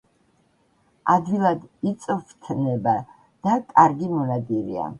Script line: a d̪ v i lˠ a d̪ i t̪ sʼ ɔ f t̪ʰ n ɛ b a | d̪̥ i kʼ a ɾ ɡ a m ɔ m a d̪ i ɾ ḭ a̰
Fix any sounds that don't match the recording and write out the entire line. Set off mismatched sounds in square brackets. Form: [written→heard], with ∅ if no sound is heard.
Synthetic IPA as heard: a d̪ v i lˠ a d̪ i t̪ sʼ ɔ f t̪ʰ n ɛ b a | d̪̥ [i→a] kʼ a ɾ ɡ [a→i] m ɔ [m→n] a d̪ i ɾ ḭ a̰